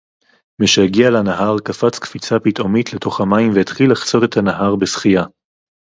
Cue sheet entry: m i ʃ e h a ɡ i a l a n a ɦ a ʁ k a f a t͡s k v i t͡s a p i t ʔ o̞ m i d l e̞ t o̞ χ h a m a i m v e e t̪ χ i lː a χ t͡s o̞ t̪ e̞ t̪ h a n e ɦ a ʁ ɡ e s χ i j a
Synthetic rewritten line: m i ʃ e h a ɡ i a l a n a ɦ a ʁ k a f a t͡s k f i t͡s a p i t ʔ o̞ m i t l e̞ t o̞ χ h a m a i m v e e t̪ χ i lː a χ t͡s o̞ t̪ e̞ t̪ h a n a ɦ a ʁ b e s χ i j a